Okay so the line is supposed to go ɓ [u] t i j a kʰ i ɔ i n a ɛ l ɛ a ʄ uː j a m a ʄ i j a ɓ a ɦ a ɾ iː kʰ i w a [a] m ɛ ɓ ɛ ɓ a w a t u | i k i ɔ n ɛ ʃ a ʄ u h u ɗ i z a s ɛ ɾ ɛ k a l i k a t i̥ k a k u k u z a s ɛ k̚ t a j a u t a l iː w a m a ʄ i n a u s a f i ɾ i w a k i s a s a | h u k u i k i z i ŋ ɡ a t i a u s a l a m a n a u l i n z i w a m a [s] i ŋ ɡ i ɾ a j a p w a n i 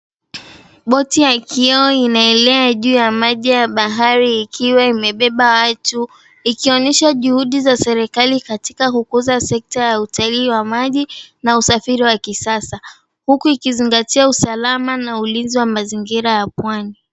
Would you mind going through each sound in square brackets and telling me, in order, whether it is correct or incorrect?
incorrect, incorrect, incorrect

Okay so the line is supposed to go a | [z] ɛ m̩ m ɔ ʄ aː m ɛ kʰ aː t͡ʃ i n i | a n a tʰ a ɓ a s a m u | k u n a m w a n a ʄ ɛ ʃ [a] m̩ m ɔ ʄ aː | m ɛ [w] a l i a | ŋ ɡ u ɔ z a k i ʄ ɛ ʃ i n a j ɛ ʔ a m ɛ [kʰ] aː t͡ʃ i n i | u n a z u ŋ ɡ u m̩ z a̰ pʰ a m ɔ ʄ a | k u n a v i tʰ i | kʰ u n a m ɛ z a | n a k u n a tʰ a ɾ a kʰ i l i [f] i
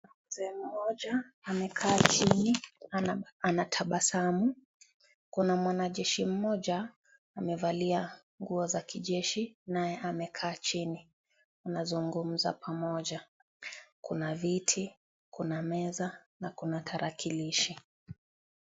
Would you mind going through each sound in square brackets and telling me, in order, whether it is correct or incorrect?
correct, incorrect, incorrect, correct, incorrect

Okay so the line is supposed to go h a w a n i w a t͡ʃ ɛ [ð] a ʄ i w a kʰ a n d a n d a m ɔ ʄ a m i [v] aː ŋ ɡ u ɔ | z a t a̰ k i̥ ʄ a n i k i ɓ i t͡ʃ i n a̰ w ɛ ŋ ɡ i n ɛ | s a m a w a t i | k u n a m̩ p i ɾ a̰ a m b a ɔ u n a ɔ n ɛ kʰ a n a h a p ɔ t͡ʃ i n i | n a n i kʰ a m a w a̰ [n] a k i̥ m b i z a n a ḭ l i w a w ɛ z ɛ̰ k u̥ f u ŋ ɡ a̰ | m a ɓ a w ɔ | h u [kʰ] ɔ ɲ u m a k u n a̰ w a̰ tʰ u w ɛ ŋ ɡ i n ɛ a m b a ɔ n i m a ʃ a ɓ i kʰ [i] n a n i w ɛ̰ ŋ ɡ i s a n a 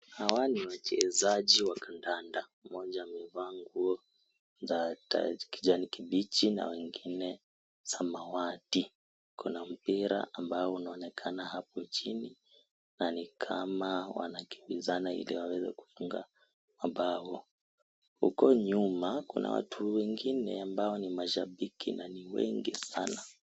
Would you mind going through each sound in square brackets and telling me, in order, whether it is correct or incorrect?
incorrect, correct, correct, incorrect, correct

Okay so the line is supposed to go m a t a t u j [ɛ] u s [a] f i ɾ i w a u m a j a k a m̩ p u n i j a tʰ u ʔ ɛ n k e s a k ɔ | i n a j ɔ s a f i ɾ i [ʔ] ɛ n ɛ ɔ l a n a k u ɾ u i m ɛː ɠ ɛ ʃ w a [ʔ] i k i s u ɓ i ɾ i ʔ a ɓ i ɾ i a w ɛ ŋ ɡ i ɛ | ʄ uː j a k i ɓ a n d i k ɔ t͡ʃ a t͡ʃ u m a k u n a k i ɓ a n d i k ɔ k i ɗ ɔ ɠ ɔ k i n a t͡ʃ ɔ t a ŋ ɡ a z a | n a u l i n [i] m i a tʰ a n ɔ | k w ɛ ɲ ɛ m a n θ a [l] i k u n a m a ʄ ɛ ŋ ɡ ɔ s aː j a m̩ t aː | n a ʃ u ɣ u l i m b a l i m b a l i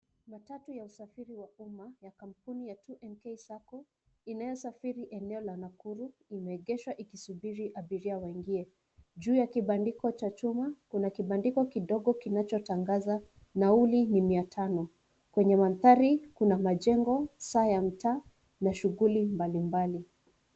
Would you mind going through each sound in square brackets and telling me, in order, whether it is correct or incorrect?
incorrect, correct, correct, correct, correct, incorrect

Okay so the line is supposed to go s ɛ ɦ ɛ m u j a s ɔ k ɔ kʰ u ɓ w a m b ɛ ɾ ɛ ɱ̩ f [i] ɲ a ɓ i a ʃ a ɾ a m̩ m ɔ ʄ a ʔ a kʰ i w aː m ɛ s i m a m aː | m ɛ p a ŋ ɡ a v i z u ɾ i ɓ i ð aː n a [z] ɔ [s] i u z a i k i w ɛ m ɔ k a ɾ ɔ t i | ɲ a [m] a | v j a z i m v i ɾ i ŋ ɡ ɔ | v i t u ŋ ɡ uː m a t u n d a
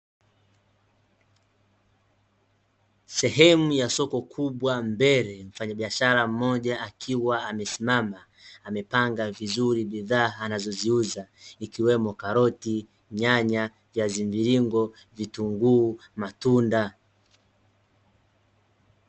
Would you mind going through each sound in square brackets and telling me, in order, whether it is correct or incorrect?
incorrect, correct, incorrect, incorrect

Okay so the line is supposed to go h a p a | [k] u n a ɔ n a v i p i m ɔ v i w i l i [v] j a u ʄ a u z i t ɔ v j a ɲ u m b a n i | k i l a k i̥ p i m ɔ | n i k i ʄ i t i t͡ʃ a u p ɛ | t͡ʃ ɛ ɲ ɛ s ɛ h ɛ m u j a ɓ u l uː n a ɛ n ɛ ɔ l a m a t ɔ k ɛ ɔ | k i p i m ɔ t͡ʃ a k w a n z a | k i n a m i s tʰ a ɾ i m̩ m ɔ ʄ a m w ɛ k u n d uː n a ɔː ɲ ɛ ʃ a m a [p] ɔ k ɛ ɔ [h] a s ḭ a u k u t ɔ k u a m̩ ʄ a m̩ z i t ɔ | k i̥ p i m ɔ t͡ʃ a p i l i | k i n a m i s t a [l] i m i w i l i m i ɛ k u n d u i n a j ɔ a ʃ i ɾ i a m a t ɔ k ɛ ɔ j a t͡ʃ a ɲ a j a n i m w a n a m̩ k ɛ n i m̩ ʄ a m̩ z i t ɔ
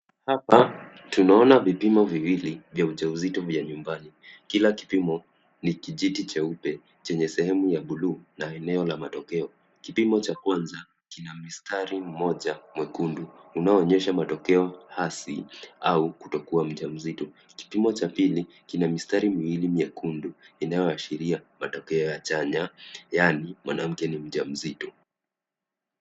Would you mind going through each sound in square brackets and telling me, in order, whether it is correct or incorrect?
incorrect, correct, incorrect, correct, incorrect

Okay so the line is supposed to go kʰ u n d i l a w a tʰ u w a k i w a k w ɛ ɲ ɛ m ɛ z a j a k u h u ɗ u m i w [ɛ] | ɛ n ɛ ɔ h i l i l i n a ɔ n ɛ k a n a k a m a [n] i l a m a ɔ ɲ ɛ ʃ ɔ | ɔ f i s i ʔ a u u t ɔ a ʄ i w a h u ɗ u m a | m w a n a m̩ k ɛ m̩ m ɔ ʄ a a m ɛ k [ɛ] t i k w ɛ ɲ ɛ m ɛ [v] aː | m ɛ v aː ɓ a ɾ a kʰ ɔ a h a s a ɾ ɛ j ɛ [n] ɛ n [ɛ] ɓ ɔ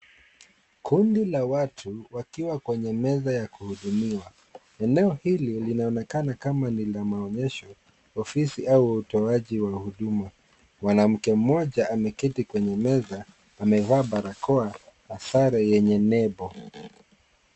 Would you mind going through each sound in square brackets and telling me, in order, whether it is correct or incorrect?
incorrect, correct, incorrect, incorrect, incorrect, correct

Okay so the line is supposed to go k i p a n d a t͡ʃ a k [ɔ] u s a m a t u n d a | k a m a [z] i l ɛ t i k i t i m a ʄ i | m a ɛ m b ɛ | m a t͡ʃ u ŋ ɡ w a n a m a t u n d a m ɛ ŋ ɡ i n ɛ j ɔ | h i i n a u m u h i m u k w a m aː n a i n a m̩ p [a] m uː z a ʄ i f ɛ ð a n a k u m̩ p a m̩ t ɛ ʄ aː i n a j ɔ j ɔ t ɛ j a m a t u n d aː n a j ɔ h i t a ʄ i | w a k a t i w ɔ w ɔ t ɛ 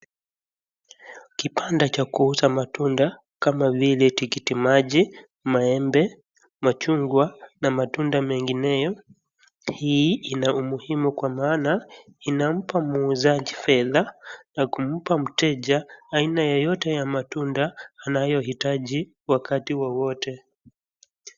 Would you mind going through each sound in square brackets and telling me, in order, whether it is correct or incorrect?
incorrect, incorrect, correct

